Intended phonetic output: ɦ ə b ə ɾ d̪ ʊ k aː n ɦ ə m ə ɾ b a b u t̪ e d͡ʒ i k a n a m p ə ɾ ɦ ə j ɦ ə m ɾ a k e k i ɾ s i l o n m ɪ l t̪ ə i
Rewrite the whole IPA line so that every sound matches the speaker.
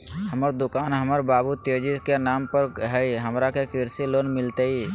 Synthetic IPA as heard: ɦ ə m ə ɾ d̪ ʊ k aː n ɦ ə m ə ɾ b a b u t̪ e d͡ʒ i k e n a m p ə ɾ ɦ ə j ɦ ə m ɾ a k e k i ɾ s i l o n m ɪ l t̪ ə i